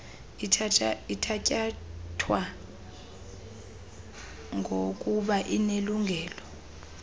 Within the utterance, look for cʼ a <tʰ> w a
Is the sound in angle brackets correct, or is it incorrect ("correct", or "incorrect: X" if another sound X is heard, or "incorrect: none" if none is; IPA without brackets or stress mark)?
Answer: correct